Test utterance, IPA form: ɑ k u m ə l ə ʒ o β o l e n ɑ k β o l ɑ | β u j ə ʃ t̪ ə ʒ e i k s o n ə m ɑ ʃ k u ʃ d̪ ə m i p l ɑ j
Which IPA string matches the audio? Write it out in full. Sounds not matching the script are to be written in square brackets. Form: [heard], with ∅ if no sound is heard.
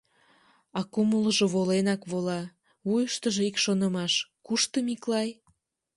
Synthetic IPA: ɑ k u m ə l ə ʒ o β o l e n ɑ k β o l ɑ | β u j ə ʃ t̪ ə ʒ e i k [ʃ] o n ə m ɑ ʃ k u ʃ [t̪] ə m i [k] l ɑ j